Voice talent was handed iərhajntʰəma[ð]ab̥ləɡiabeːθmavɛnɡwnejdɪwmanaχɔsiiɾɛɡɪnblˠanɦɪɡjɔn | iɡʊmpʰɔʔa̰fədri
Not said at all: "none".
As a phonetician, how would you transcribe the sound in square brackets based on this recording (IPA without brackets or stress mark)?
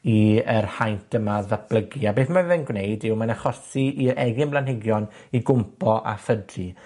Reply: ð